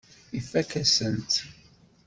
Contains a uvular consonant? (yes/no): no